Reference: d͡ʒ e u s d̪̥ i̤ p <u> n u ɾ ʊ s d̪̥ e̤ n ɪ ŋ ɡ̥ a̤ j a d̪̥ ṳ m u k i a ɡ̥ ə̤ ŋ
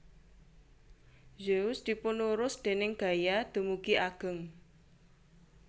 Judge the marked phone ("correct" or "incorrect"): incorrect